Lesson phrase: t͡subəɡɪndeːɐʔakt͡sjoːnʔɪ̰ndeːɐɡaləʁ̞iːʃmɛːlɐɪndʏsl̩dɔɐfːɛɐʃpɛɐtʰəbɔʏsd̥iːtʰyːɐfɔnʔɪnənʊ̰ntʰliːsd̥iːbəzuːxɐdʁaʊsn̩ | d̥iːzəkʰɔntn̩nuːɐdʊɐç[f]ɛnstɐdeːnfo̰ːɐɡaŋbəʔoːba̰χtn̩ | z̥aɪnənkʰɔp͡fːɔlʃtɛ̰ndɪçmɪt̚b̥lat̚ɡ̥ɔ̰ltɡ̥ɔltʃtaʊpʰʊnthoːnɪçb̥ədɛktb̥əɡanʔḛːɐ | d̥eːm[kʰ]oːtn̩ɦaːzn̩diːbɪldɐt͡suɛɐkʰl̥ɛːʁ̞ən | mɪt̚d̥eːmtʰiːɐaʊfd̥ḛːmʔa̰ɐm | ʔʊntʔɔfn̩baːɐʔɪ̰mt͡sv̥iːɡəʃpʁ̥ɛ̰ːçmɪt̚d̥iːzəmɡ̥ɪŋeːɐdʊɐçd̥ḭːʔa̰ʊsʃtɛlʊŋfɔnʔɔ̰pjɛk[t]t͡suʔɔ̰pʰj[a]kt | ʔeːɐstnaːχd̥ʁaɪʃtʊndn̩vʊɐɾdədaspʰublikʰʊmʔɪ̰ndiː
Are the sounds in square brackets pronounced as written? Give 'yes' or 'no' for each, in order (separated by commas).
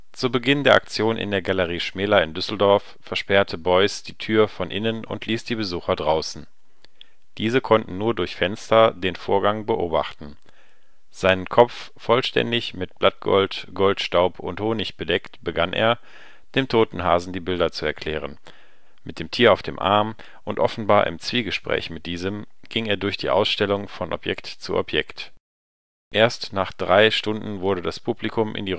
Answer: yes, no, yes, no